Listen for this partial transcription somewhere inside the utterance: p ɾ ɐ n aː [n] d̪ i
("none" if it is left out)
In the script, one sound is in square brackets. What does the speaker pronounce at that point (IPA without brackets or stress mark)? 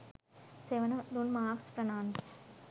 n